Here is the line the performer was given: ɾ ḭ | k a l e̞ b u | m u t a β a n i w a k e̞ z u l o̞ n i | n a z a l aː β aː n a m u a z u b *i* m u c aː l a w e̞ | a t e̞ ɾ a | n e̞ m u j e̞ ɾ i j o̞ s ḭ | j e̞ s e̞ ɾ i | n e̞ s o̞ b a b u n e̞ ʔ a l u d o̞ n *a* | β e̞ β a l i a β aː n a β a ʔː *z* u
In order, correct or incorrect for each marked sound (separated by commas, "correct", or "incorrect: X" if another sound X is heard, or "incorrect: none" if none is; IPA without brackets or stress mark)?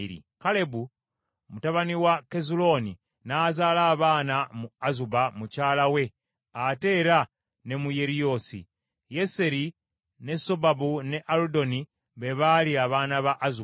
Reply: incorrect: a, incorrect: i, correct